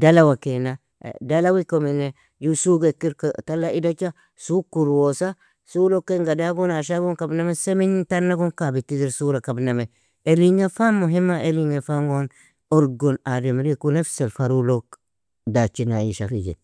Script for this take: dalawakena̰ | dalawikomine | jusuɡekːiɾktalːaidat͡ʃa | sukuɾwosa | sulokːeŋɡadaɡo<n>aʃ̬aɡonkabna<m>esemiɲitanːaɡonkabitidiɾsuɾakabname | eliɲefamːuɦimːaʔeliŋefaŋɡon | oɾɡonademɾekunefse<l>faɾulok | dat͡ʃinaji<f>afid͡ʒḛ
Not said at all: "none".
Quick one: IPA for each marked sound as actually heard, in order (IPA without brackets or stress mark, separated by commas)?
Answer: n, m, l, ʃ